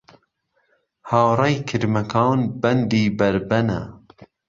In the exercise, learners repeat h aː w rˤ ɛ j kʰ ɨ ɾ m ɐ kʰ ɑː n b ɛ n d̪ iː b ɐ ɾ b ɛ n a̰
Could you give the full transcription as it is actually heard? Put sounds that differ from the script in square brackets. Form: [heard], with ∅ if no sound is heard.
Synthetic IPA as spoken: h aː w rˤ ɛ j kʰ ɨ ɾ m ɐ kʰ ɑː n b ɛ n d̪ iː b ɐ ɾ b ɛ n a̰